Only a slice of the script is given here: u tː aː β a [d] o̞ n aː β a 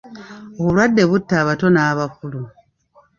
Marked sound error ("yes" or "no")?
yes